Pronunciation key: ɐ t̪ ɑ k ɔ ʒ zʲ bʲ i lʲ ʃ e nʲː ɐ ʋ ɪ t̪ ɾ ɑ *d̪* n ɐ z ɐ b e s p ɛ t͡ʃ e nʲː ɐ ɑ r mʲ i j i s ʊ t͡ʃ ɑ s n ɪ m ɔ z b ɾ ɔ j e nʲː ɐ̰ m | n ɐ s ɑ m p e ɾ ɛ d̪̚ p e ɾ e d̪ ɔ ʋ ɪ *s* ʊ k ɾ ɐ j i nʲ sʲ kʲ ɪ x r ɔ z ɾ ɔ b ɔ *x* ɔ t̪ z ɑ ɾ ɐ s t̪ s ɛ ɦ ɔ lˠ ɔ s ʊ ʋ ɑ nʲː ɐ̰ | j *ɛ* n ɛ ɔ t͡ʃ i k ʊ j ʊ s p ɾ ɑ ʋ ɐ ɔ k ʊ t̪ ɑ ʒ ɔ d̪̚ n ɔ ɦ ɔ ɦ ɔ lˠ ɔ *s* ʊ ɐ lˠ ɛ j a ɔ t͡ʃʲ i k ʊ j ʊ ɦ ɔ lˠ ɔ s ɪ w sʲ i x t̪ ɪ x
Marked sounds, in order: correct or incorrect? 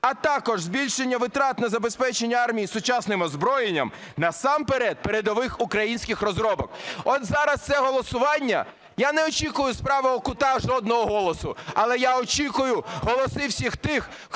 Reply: incorrect: t̪, incorrect: x, incorrect: k, incorrect: a, correct

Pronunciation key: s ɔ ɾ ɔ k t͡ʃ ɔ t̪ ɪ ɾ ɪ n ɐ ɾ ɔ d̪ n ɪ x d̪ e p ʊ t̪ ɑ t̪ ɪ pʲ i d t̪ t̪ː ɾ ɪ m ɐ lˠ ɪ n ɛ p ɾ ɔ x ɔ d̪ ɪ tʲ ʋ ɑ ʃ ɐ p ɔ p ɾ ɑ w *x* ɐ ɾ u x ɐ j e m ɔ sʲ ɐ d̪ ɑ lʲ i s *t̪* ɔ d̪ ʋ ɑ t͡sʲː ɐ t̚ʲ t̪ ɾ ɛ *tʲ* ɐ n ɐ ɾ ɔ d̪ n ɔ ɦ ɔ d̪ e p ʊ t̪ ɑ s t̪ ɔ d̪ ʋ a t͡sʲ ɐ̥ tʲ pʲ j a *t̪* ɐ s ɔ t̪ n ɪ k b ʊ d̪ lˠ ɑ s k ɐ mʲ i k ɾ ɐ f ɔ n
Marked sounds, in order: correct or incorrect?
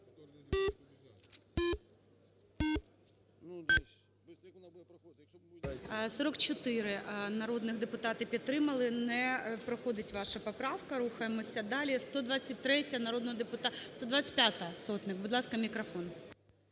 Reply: incorrect: k, correct, correct, correct

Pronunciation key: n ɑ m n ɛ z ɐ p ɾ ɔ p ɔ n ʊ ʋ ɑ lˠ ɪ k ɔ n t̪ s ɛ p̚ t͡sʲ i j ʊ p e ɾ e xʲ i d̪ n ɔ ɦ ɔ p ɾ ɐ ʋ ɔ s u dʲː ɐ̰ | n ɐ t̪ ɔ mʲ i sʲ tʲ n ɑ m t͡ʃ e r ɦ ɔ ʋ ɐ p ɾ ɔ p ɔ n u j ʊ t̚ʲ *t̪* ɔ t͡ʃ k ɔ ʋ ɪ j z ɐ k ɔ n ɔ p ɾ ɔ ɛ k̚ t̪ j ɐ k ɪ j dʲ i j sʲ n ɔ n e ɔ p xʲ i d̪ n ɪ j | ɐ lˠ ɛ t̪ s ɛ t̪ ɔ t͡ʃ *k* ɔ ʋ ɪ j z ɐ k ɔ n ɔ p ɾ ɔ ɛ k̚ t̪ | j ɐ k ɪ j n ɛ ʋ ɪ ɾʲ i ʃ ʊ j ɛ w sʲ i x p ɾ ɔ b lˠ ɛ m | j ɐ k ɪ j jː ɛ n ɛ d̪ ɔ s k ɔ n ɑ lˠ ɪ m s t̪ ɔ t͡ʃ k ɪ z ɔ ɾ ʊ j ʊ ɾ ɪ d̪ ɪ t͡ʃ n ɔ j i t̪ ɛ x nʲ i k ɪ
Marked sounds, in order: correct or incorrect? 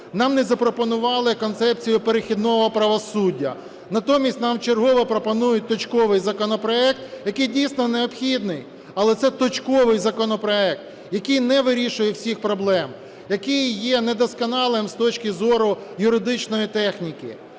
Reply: correct, correct

